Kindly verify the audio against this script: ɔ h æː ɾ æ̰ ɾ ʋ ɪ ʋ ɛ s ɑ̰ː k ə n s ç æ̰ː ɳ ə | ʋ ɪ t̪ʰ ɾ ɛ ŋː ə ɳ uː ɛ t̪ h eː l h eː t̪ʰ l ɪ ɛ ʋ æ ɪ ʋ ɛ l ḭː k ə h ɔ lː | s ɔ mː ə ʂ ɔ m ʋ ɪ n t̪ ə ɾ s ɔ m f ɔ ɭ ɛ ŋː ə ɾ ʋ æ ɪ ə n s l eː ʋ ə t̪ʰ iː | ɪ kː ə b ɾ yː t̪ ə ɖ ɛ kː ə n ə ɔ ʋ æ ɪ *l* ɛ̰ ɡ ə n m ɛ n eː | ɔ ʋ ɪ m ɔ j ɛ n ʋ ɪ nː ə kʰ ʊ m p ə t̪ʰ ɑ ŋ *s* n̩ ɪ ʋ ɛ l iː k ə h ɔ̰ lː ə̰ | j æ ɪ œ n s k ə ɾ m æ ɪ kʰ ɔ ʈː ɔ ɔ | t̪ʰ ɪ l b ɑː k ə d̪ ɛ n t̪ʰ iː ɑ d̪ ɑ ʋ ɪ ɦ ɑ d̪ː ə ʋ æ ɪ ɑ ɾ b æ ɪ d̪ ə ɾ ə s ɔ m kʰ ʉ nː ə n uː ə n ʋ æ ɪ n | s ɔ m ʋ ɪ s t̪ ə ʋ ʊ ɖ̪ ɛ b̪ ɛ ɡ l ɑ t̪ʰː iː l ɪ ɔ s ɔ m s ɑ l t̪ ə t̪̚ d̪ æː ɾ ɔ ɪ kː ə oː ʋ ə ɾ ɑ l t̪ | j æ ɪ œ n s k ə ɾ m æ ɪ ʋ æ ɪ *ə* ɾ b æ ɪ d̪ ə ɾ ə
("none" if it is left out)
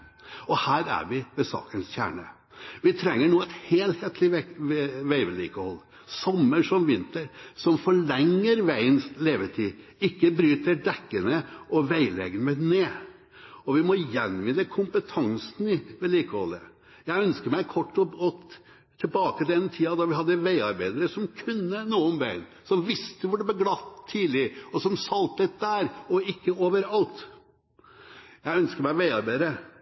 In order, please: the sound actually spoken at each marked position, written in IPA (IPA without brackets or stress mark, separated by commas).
l, s, ɑ